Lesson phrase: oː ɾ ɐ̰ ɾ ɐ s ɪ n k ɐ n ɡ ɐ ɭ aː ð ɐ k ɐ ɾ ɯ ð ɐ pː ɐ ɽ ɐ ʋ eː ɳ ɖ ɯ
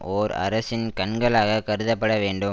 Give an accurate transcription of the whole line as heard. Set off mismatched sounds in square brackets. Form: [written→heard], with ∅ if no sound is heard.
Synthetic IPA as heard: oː ɾ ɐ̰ ɾ ɐ s ɪ n k ɐ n ɡ ɐ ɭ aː [ð→ɣ] ɐ k ɐ ɾ ɯ ð ɐ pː ɐ ɽ ɐ ʋ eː ɳ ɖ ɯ